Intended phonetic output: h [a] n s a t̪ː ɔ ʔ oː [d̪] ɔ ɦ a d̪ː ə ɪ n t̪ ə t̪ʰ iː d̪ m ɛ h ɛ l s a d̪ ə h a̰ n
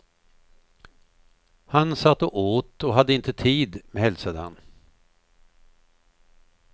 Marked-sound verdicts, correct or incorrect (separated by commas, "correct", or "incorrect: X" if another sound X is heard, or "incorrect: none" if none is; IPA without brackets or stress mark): correct, incorrect: t̪